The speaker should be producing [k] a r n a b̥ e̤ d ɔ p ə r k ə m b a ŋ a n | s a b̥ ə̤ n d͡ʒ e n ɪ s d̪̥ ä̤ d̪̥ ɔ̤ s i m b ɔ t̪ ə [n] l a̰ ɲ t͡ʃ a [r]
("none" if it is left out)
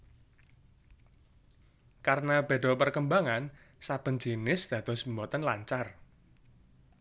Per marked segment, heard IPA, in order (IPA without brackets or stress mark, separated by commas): k, n, r